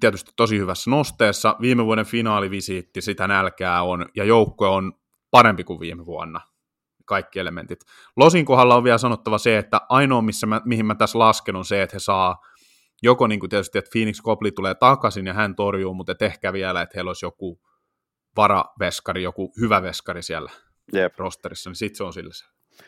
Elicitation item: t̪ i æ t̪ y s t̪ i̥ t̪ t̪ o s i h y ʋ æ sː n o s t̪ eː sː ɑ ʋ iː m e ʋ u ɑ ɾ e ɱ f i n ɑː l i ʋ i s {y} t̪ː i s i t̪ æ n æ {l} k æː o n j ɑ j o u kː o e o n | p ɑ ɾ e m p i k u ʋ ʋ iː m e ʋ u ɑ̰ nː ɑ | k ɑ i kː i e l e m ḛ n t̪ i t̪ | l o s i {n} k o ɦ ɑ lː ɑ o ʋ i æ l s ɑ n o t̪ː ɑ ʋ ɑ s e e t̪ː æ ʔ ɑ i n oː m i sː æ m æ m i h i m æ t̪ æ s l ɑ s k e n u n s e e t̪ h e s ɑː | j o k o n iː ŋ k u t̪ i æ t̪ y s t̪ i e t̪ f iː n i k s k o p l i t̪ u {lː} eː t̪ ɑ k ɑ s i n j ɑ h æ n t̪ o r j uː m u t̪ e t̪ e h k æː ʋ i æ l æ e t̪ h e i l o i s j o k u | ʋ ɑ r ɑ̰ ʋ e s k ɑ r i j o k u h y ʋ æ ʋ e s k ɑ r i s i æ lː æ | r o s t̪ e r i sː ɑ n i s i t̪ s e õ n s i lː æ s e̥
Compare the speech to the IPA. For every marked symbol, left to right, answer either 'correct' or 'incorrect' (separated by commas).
incorrect, correct, incorrect, incorrect